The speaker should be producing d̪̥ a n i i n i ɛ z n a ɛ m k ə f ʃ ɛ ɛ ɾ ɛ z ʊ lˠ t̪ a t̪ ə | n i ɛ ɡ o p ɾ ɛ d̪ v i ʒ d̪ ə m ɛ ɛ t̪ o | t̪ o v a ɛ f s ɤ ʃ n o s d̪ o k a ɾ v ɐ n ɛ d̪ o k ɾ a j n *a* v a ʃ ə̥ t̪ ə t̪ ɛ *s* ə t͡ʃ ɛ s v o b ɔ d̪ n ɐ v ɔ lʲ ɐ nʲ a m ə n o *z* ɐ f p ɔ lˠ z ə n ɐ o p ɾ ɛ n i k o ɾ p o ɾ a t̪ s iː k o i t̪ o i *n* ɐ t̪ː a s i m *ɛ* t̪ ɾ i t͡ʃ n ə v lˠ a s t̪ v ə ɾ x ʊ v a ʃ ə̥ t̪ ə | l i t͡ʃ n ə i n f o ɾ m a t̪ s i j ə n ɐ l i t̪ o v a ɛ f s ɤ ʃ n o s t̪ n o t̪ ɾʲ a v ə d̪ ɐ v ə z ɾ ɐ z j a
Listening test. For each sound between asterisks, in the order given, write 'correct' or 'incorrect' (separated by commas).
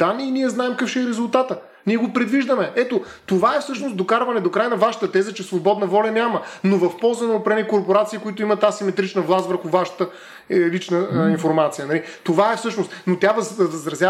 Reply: incorrect, incorrect, incorrect, incorrect, correct